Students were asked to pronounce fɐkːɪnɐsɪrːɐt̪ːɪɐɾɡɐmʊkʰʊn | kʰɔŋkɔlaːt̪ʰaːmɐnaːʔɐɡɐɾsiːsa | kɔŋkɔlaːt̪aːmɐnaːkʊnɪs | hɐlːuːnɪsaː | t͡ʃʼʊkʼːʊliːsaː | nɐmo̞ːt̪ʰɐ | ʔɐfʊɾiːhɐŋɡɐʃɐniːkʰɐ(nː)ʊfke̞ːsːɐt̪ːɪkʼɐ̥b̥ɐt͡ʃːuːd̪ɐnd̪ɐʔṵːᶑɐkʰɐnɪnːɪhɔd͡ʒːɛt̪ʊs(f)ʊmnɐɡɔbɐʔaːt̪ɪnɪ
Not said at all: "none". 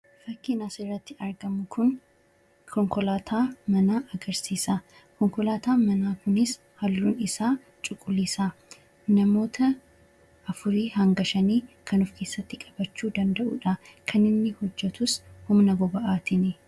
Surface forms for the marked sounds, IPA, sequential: n, h

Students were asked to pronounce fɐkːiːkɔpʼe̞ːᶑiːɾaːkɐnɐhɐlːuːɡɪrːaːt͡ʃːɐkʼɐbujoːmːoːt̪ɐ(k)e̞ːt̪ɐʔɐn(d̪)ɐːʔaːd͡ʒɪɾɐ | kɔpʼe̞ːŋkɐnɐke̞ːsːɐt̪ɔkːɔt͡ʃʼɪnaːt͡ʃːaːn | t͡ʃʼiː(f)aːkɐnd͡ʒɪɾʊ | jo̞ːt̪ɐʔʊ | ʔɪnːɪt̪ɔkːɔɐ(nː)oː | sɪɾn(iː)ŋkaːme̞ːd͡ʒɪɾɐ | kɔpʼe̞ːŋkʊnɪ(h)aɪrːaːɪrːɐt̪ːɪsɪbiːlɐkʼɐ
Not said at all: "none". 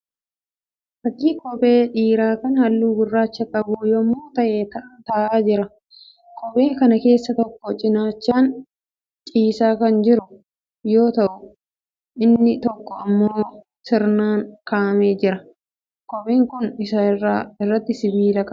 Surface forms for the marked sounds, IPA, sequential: ʔ, t̪, s, mː, aː, s

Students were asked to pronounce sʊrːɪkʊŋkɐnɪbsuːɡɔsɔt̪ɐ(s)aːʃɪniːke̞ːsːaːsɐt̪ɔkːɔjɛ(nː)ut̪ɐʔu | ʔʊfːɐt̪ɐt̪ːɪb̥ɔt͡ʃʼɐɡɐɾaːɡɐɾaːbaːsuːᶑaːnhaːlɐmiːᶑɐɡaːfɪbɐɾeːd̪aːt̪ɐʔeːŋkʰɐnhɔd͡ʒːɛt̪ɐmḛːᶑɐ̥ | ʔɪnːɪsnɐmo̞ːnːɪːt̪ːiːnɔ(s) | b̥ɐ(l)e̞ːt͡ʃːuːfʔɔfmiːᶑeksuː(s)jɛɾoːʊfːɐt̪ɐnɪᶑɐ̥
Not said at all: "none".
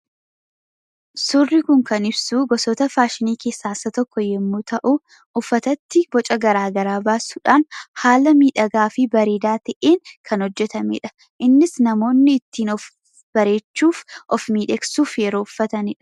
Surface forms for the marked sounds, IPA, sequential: f, mː, f, ɾ, f

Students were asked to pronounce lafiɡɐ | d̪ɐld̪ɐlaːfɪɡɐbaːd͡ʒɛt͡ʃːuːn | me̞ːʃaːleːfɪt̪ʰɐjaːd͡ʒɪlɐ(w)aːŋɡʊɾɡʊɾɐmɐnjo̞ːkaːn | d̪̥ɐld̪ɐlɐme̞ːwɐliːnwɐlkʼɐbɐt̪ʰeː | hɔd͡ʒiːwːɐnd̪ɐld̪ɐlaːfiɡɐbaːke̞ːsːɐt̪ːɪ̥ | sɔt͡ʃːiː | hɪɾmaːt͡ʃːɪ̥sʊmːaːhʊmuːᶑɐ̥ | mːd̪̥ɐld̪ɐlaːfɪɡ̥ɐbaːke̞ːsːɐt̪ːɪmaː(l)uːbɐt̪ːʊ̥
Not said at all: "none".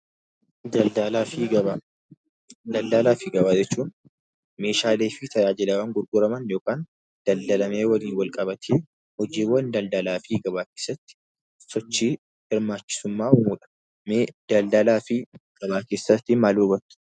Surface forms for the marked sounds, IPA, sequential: w, l

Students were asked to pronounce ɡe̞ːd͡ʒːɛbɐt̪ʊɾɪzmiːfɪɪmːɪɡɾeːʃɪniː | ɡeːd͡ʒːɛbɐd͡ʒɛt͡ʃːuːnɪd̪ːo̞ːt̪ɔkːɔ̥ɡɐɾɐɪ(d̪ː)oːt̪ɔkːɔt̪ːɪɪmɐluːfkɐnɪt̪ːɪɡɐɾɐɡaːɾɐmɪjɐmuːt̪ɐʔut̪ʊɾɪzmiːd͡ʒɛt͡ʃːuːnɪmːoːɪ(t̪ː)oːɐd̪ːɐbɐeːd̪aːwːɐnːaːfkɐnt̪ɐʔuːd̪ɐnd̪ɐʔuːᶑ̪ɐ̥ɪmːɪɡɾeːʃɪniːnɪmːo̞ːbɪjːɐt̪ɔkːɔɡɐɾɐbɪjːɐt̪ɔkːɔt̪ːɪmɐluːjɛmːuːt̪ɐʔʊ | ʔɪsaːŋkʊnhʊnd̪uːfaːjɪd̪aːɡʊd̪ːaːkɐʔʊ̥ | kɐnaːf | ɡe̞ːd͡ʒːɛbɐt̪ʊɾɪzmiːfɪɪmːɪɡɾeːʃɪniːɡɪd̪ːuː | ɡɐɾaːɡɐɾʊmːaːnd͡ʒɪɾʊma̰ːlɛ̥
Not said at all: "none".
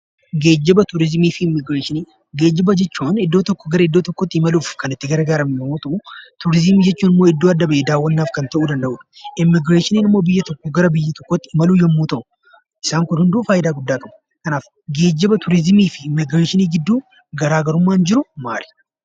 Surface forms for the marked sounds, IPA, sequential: d̪ː, d̪ː

